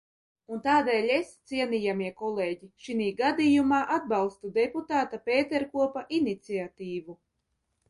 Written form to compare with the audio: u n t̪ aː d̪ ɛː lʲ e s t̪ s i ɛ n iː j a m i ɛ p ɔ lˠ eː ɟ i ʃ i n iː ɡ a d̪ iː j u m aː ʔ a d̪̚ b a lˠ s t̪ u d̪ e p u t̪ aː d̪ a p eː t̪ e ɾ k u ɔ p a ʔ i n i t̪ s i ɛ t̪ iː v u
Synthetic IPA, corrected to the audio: u n t̪ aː d̪ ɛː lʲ e s t̪ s i ɛ n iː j a m i ɛ k ɔ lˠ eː ɟ i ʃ i n iː ɡ a d̪ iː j u m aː ʔ a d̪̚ b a lˠ s t̪ u d̪ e p u t̪ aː t̪ a p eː t̪ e ɾ k u ɔ p a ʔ i n i t̪ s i a t̪ iː v u